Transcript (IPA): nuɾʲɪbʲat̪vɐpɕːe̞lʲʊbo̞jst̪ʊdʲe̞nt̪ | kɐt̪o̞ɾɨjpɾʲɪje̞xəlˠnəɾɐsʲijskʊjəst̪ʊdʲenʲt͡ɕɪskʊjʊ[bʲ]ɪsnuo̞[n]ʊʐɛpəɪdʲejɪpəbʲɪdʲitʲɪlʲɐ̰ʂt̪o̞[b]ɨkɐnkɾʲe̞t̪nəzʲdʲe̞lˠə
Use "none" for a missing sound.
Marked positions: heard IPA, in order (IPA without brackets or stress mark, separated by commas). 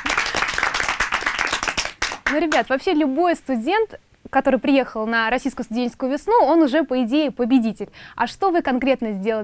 vʲ, n, v